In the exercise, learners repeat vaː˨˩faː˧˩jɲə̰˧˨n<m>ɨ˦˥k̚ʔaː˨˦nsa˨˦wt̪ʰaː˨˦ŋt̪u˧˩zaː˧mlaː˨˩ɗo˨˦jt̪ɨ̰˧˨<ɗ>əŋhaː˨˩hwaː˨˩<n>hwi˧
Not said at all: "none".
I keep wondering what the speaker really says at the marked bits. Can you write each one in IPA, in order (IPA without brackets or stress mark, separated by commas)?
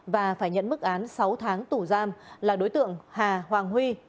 m, none, ŋ